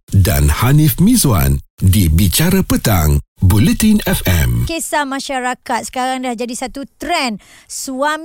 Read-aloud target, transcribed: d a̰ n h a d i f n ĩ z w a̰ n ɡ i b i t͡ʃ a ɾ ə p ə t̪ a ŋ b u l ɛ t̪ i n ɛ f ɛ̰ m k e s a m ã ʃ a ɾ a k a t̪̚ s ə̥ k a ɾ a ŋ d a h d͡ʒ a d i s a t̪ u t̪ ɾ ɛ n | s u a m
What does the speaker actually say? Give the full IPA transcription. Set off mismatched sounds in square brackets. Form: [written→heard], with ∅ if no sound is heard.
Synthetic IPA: d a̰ n h a [d→n] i f [n→m] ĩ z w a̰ n [ɡ→d] i b i t͡ʃ a ɾ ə p ə t̪ a ŋ b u l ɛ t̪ i n ɛ f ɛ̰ m k e s a m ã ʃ a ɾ a k a t̪̚ s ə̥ k a ɾ a ŋ d a h d͡ʒ a d i s a t̪ u t̪ ɾ ɛ n | s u a m